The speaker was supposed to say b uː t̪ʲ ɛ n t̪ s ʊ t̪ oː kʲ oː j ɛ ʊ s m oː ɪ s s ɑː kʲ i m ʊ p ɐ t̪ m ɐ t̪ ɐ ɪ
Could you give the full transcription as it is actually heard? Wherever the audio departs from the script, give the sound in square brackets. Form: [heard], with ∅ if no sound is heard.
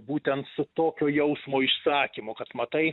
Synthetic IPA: b uː t̪ʲ ɛ n t̪ s ʊ t̪ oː kʲ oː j ɛ ʊ s m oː ɪ [ʃ] s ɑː kʲ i m ʊ [k] ɐ t̪ m ɐ t̪ ɐ ɪ